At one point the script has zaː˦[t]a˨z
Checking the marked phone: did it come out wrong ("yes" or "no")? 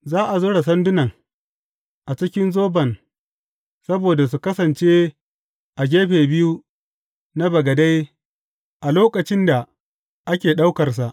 yes